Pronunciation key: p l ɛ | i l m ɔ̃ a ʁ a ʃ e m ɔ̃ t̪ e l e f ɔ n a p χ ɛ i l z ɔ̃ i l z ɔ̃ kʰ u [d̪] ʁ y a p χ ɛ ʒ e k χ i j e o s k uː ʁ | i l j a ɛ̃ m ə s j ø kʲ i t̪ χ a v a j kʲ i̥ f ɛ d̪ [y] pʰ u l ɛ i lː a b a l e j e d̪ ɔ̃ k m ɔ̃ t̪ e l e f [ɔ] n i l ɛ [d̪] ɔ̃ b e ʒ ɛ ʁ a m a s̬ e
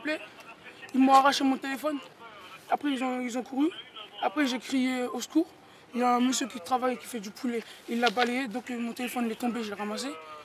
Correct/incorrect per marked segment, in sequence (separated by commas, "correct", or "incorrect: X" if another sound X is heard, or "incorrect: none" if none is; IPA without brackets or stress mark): incorrect: none, correct, correct, incorrect: t̪